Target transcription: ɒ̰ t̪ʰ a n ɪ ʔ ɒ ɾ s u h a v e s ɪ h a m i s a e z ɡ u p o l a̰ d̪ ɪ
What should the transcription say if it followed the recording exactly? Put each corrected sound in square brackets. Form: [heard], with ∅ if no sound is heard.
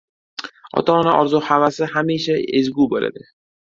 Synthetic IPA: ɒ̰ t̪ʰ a n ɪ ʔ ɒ ɾ [z] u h a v [a] s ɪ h a m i [ʃ] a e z ɡ u [b] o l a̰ d̪ ɪ